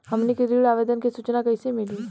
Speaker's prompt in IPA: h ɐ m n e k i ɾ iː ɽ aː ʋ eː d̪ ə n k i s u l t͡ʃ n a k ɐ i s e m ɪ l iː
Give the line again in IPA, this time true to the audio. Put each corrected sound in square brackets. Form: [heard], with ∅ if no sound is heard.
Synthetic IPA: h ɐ m n e k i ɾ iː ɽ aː ʋ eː d̪ ə n k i s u [∅] t͡ʃ n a k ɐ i s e m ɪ l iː